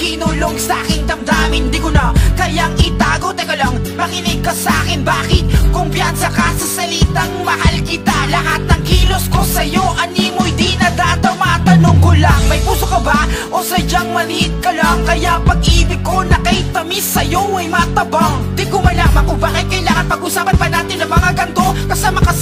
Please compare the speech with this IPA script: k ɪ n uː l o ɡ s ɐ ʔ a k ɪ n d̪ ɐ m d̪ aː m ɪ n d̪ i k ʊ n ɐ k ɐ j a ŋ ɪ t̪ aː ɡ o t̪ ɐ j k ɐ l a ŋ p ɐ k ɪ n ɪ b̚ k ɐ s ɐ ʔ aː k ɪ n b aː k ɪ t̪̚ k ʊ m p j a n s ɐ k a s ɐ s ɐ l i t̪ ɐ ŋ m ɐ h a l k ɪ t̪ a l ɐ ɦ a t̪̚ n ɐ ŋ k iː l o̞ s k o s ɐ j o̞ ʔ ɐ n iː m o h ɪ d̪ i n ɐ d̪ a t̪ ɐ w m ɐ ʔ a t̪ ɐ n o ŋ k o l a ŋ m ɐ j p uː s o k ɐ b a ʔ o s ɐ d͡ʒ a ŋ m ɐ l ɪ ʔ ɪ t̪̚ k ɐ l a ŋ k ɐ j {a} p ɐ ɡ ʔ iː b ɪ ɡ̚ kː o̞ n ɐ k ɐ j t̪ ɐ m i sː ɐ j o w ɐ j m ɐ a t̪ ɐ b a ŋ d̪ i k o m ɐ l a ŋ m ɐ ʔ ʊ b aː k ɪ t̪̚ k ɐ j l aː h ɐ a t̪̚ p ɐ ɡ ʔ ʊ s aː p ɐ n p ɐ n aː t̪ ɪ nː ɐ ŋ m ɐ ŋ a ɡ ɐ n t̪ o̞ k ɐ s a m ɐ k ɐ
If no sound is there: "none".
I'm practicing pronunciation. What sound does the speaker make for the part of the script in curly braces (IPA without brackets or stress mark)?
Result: a